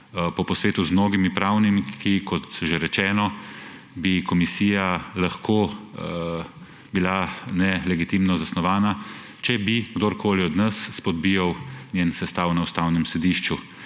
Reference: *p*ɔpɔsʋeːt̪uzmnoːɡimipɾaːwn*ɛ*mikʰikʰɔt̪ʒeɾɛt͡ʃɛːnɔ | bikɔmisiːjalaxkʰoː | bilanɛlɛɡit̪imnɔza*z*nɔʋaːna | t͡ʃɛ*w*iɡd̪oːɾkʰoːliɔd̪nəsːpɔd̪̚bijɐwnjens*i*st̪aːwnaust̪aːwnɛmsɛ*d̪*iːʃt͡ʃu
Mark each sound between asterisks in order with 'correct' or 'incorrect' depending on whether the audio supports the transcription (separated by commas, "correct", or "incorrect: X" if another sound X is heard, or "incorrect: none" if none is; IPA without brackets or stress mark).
correct, incorrect: i, incorrect: s, incorrect: b, incorrect: ɛ, correct